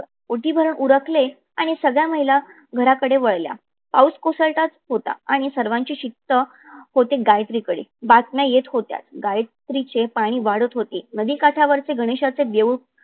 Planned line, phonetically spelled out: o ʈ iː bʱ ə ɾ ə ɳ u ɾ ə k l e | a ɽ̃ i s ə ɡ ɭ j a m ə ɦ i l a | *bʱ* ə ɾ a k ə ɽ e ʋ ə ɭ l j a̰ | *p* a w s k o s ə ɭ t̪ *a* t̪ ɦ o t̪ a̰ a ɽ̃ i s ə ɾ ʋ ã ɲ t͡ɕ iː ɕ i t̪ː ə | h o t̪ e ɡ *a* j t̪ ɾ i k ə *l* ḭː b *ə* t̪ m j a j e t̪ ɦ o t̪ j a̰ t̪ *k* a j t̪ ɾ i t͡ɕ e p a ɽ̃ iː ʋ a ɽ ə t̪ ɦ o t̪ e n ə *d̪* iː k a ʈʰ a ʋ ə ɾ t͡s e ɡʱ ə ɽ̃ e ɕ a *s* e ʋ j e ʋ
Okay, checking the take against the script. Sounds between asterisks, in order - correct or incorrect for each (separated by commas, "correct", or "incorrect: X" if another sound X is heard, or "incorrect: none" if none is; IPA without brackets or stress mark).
incorrect: ɡʱ, correct, correct, correct, incorrect: ɽ, incorrect: a, incorrect: ɡ, correct, incorrect: t͡s